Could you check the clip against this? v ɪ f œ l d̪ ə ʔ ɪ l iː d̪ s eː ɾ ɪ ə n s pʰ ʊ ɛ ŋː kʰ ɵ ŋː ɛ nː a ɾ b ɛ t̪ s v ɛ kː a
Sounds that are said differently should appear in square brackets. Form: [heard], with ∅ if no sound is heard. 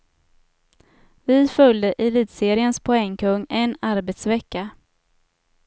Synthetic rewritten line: v ɪ f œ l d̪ ə ʔ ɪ l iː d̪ s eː ɾ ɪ ə n s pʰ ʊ ɛ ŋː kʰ ɵ ŋː ɛ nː a ɾ b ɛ t̪ s v ɛ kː a